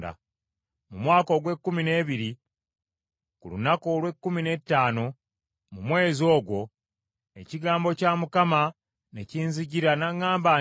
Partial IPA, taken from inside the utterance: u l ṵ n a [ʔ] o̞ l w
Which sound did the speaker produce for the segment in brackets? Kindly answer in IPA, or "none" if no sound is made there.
k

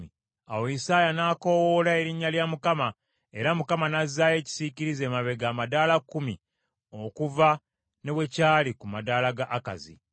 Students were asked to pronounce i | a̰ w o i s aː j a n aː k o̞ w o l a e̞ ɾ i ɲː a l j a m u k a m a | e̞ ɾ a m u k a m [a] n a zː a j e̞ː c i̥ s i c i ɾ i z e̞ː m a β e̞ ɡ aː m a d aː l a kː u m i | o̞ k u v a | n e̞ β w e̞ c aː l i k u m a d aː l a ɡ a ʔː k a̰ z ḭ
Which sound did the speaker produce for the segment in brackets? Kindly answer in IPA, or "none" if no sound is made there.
a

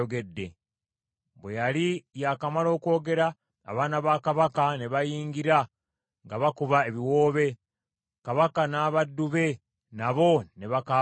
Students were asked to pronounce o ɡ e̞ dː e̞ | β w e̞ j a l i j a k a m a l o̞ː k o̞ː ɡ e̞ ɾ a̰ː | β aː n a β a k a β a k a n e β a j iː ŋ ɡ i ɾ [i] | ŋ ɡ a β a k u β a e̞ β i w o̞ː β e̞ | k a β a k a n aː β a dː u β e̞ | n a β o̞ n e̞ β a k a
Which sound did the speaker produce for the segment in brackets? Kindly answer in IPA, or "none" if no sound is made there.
a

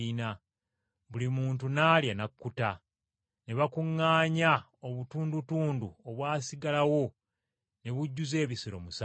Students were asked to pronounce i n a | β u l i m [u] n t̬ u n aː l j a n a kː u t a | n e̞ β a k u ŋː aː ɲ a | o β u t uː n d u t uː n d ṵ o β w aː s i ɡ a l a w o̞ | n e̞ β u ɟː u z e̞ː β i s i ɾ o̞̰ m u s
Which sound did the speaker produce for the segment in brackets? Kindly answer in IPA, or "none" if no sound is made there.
uː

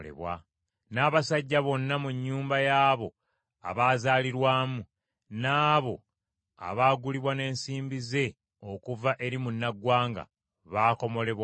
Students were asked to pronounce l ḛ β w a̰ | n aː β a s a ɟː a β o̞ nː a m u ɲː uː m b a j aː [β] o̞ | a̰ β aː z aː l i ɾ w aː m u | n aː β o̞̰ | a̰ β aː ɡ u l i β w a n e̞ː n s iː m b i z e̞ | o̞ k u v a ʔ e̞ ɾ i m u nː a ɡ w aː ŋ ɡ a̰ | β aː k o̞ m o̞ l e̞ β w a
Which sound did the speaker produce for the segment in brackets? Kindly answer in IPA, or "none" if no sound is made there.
β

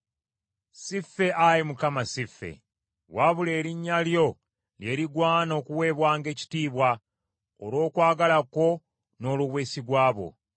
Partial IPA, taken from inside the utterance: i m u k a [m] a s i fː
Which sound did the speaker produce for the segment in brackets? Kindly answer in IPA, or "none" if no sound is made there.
m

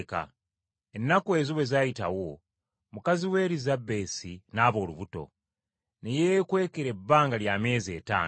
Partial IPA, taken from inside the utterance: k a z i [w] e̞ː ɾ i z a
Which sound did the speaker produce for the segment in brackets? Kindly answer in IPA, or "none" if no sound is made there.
w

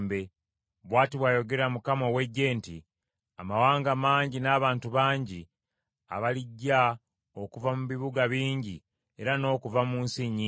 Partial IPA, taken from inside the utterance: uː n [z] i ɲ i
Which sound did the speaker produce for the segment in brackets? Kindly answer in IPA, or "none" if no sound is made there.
s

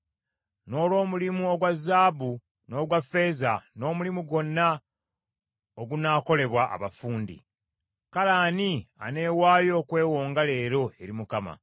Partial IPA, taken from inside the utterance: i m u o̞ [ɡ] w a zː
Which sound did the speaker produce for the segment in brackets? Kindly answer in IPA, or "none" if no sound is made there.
ɡ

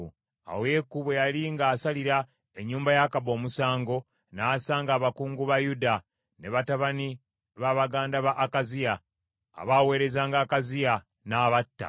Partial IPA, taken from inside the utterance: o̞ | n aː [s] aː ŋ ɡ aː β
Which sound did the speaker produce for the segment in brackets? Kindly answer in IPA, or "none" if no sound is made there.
s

